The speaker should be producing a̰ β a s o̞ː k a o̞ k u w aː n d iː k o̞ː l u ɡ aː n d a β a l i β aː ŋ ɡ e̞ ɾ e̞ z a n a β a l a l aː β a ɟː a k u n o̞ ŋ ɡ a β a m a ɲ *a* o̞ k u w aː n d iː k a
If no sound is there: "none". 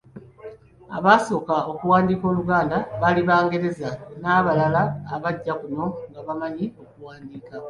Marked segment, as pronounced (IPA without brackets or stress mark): i